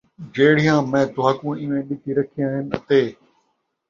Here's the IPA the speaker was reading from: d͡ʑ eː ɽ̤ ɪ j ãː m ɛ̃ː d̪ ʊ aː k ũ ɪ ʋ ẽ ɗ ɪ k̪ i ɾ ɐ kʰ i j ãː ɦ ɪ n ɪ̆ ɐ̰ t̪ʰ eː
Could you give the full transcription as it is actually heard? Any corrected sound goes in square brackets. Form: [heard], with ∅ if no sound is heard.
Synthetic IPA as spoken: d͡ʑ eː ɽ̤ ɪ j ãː m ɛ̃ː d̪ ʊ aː k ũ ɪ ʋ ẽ ɗ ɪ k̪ i ɾ ɐ kʰ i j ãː ɦ ɪ n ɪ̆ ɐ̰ [t̪] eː